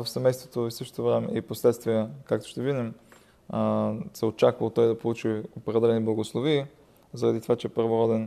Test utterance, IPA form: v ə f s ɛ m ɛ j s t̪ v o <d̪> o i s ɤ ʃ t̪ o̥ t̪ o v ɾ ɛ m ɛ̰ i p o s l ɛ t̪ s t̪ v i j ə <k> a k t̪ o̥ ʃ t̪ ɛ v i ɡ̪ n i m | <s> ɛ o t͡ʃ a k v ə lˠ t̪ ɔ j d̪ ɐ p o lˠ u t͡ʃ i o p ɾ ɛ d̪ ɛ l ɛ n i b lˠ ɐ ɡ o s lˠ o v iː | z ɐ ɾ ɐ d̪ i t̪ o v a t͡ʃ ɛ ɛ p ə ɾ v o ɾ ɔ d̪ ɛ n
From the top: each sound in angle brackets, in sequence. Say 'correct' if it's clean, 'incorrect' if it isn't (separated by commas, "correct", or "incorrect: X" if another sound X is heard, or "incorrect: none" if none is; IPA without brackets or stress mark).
incorrect: t̪, correct, correct